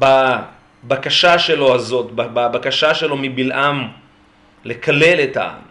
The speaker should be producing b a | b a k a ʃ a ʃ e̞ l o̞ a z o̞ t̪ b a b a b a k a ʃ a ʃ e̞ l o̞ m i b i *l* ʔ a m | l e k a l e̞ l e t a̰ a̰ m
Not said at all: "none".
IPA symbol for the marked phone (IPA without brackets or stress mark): l